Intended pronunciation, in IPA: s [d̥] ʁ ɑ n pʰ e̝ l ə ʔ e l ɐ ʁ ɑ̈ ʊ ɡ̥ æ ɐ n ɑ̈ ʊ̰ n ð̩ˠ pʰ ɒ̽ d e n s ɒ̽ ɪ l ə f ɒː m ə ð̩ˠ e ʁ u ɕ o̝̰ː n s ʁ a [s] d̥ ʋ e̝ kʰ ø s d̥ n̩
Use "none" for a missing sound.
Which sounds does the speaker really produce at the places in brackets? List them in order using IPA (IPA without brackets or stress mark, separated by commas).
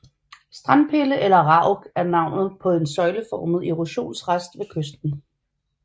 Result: d̥, s